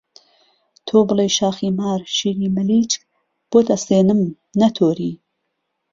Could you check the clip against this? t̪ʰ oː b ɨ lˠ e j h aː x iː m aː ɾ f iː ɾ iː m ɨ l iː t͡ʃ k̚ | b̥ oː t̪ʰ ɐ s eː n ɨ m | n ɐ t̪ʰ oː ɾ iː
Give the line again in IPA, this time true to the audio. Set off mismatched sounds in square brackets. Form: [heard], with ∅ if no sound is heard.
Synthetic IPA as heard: t̪ʰ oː b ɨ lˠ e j [ʃ] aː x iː m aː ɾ [ʃ] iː ɾ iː m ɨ l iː t͡ʃ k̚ | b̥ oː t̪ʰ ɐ s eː n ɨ m | n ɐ t̪ʰ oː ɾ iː